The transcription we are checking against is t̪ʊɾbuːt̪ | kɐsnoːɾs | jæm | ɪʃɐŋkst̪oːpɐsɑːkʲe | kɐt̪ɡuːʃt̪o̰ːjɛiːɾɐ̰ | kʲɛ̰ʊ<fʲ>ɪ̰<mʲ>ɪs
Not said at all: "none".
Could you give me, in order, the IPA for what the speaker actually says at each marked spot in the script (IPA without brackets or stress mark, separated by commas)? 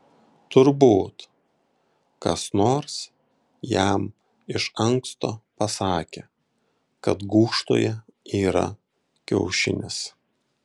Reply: ʃʲ, nʲ